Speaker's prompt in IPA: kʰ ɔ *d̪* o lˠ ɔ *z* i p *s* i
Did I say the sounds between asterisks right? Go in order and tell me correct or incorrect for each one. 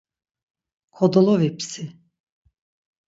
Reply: correct, incorrect: v, correct

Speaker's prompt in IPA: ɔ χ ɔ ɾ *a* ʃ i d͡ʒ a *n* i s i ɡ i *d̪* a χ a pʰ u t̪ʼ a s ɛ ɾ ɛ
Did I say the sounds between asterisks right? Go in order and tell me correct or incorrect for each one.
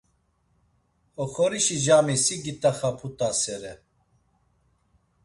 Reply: incorrect: i, incorrect: m, incorrect: t̪

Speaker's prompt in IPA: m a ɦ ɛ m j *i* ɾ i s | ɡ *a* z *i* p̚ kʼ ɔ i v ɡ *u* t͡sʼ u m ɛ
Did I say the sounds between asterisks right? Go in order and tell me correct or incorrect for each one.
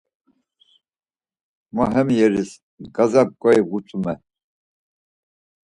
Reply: incorrect: ɛ, correct, incorrect: a, correct

